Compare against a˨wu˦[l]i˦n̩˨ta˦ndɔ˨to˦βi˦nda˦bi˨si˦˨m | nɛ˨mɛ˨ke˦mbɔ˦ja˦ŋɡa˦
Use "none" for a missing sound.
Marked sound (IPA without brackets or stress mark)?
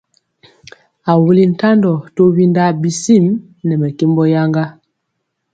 l